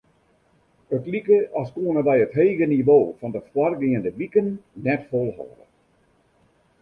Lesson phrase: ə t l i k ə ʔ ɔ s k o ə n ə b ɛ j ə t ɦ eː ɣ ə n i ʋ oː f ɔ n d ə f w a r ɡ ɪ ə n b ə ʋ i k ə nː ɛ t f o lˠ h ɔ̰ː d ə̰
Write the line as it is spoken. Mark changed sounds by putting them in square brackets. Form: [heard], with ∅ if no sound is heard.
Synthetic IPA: ə t l i k ə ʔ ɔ s k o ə n ə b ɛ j ə t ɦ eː ɣ ə n i ʋ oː f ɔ n d ə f w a r ɡ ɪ ə n [d] ə ʋ i k ə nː ɛ t f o lˠ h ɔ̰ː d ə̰